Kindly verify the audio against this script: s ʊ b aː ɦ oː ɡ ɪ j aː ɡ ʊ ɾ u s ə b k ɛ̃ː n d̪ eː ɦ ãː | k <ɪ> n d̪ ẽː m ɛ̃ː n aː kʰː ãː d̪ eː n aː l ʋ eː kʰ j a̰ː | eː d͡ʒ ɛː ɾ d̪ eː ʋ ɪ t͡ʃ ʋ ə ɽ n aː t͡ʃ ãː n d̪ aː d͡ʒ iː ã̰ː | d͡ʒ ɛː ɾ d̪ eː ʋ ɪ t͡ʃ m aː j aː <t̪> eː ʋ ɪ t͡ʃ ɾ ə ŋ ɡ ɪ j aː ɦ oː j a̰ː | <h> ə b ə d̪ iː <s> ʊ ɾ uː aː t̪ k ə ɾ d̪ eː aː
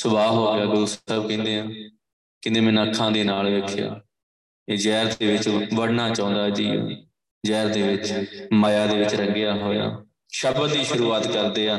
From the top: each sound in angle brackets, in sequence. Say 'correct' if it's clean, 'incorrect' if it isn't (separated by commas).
correct, incorrect, incorrect, incorrect